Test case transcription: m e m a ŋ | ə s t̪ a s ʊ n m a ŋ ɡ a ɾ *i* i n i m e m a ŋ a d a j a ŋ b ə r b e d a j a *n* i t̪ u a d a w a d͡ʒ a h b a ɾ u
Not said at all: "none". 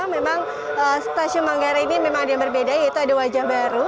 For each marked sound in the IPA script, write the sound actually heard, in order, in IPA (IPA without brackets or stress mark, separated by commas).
a, none